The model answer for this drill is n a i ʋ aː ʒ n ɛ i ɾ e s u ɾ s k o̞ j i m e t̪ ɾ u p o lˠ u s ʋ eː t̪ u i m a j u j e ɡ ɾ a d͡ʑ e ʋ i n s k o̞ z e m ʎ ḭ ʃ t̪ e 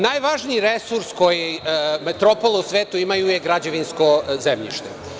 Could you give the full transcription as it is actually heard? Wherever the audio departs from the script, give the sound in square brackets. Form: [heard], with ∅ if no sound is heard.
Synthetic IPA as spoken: n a [j] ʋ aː ʒ n [i] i ɾ e s u ɾ s k o̞ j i m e t̪ ɾ [o] p o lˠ u s ʋ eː t̪ u i m a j u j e ɡ ɾ a d͡ʑ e ʋ i n s k o̞ z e m ʎ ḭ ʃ t̪ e

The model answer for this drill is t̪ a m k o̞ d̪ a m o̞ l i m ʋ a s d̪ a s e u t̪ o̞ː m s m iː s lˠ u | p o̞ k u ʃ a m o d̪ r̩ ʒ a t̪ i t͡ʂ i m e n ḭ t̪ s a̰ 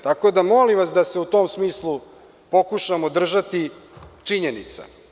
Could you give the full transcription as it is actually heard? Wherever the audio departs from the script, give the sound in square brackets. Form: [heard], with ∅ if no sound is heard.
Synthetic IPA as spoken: t̪ a [∅] k o̞ d̪ a m o̞ l i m ʋ a s d̪ a s e u t̪ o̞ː m s m iː s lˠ u | p o̞ k u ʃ a m o d̪ r̩ ʒ a t̪ i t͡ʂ i [ɲ] e n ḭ t̪ s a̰

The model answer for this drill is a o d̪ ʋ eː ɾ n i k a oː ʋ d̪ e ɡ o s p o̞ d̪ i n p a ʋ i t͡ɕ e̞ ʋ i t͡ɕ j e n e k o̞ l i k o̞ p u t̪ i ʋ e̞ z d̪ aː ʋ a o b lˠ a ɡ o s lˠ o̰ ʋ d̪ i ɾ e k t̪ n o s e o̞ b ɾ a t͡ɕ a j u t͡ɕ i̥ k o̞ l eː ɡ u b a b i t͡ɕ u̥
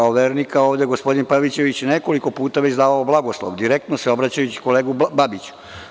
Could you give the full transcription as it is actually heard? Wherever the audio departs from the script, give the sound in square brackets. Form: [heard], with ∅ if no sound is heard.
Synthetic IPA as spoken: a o [∅] ʋ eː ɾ n i k a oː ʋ d̪ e ɡ o s p o̞ d̪ i n p a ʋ i t͡ɕ e̞ ʋ i t͡ɕ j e n e k o̞ l i k o̞ p [uː] t̪ [a] ʋ e̞ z d̪ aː ʋ a o b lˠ a ɡ o s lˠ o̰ ʋ d̪ i ɾ e k t̪ n o s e o̞ b ɾ a t͡ɕ a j u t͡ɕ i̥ k o̞ l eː ɡ u b a b i t͡ɕ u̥

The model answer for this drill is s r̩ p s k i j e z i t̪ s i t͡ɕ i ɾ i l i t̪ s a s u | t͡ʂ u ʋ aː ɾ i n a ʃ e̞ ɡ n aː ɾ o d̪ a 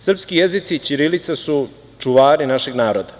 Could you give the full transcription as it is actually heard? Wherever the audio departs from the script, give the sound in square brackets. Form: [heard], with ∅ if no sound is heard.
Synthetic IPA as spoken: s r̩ p s k i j e z i t̪ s i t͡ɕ i ɾ i l i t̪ s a s u | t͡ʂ u ʋ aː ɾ i n a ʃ e̞ ɡ n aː ɾ o d̪ a

